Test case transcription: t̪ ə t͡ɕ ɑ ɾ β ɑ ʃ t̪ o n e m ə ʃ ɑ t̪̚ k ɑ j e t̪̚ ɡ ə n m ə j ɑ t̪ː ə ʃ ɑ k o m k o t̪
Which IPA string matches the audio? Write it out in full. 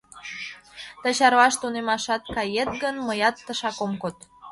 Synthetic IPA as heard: t̪ ə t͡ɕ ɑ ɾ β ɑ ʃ t̪ u n e m ɑ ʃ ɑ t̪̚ k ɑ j e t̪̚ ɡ ə n m ə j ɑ t̪ː ə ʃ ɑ k o m k o t̪

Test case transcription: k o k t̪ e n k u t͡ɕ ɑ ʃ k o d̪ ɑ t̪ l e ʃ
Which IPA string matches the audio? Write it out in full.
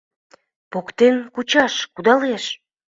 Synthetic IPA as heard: p o k t̪ e n k u t͡ɕ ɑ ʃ k u d̪ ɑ l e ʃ

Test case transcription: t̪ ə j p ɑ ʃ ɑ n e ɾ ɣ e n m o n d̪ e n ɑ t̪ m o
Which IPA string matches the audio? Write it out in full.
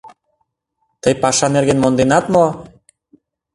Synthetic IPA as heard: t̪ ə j p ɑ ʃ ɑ n e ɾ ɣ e n m o n d̪ e n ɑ t̪ m o

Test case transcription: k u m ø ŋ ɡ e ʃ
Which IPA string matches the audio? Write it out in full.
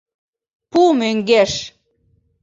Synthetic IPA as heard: p u m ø ŋ ɡ e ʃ

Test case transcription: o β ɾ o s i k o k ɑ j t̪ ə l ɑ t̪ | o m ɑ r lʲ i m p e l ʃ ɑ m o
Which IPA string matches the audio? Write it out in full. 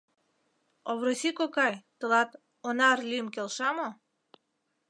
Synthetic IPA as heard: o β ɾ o s i k o k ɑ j t̪ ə l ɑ t̪ | o n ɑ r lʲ i m k e l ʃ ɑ m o

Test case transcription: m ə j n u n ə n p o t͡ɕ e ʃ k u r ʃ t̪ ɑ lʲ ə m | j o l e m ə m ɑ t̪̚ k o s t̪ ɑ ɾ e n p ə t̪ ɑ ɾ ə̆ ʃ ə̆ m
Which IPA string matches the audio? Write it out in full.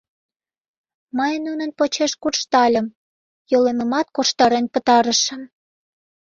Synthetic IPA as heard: m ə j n u n ə n p o t͡ɕ e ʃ k u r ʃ t̪ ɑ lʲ ə m | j o l e m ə m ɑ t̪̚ k o ʃ t̪ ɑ ɾ e n p ə t̪ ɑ ɾ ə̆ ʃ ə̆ m

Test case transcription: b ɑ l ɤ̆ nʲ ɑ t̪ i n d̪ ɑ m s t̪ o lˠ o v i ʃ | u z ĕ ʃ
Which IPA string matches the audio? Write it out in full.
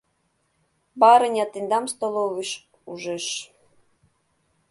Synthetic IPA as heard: b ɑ ɾ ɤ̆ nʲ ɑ t̪ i n d̪ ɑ m s t̪ o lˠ o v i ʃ | u ʒ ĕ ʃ

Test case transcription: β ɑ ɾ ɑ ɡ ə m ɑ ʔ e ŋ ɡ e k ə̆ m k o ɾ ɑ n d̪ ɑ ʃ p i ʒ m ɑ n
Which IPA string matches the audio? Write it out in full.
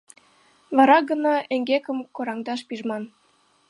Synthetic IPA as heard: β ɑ ɾ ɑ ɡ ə n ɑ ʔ e ŋ ɡ e k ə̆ m k o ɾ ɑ ŋ d̪ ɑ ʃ p i ʒ m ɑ n

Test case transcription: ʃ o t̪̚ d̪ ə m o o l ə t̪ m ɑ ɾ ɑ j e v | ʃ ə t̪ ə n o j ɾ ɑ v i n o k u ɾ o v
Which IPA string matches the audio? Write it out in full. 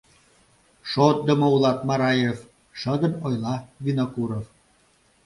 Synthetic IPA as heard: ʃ o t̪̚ d̪ ə m o u l ɑ t̪ m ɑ ɾ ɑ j e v | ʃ ə d̪ ə n o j l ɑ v i n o k u ɾ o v

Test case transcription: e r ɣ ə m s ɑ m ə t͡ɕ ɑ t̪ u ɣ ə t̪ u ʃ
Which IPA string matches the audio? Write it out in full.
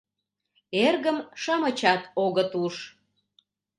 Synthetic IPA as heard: e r ɣ ə m ʃ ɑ m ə t͡ɕ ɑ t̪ o ɣ ə t̪ u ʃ

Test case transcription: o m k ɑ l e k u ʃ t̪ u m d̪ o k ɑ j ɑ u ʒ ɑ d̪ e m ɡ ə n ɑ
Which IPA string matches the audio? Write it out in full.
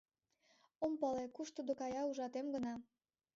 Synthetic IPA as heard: o m p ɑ l e k u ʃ t̪ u d̪ o k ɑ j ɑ u ʒ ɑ t̪ e m ɡ ə n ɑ

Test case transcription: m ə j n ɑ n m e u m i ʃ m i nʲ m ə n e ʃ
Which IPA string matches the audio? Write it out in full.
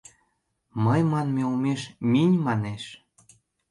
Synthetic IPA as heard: m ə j m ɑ n m e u m e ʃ m i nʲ m ɑ n e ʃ

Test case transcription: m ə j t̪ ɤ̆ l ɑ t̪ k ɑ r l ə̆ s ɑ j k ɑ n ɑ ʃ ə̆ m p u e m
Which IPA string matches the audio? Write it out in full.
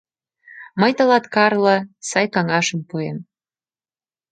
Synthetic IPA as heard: m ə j t̪ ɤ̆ l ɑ t̪ k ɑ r l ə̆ s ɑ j k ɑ ŋ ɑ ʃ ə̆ m p u e m

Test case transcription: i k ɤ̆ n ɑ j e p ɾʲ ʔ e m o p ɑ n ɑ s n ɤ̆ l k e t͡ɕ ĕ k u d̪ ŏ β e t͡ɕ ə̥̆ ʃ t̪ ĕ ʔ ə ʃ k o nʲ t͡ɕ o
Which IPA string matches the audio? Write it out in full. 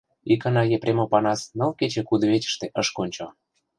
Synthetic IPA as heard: i k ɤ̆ n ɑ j e p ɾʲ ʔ e m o p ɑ n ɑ s n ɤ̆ l k e t͡ɕ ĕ k u d̪ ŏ β e t͡ɕ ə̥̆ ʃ t̪ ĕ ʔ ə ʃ k o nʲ t͡ɕ o

